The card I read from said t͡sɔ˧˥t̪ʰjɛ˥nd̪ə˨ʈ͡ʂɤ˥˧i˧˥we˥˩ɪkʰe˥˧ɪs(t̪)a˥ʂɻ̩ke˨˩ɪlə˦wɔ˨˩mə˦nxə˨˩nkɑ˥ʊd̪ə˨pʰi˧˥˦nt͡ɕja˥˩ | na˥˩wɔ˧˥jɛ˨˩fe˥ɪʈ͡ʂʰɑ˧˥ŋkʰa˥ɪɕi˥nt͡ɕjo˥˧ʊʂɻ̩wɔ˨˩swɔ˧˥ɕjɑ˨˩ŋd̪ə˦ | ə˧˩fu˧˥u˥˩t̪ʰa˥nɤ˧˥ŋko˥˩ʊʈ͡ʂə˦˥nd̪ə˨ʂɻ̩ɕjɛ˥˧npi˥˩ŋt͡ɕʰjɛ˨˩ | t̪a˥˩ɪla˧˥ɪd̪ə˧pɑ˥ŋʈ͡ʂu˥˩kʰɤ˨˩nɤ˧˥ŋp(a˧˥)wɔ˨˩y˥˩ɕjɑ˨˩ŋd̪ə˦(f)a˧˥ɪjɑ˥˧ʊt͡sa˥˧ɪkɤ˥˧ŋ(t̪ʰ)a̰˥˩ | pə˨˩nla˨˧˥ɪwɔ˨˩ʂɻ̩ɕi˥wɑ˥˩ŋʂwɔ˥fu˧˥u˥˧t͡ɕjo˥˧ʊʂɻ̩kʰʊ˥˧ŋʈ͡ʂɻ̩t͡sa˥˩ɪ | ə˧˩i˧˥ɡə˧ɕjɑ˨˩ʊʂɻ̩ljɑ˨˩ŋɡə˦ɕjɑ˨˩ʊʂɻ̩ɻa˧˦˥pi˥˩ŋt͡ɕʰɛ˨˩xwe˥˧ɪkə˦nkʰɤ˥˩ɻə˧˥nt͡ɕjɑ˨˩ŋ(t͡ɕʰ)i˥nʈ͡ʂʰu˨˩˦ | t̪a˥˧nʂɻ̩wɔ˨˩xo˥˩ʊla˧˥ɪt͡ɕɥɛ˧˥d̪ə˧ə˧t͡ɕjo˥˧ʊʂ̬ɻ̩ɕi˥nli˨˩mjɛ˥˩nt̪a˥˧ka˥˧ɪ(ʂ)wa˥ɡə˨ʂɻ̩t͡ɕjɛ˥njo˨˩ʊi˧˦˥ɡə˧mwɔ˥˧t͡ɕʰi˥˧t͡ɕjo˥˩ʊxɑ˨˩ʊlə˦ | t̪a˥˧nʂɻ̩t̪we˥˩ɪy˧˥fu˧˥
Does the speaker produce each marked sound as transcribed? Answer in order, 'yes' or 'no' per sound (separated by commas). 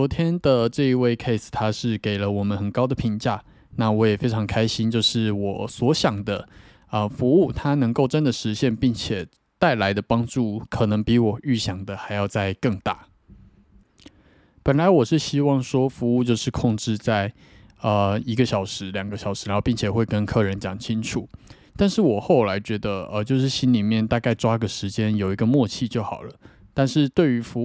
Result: no, no, no, no, yes, no